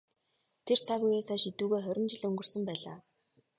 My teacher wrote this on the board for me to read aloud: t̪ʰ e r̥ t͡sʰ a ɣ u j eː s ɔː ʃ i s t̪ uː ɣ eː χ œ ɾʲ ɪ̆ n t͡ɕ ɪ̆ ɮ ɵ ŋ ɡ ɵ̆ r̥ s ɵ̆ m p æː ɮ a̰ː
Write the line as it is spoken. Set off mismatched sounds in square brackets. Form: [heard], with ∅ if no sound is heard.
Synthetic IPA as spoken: t̪ʰ e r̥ t͡sʰ a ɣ u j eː s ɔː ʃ i [∅] t̪ uː ɣ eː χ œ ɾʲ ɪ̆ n t͡ɕ ɪ̆ ɮ ɵ ŋ ɡ ɵ̆ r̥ s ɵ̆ m p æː ɮ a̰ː